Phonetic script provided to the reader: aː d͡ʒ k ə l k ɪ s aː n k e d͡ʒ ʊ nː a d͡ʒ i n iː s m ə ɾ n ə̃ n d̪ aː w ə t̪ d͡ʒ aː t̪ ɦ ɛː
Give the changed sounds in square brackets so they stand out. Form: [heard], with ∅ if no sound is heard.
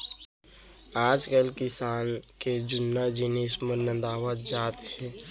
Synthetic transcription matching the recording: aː d͡ʒ k ə l k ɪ s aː n k e d͡ʒ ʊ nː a d͡ʒ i n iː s m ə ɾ n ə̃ n d̪ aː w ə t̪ d͡ʒ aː t̪ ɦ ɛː

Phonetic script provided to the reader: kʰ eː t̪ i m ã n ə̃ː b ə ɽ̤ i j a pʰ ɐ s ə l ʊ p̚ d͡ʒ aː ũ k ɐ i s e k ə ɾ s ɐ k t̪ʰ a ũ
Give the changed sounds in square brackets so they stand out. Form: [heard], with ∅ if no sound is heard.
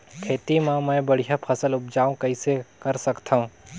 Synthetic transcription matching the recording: kʰ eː t̪ i m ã [m] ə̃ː b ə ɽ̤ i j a pʰ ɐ s ə l ʊ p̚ d͡ʒ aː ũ k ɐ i s e k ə ɾ s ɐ k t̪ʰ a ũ

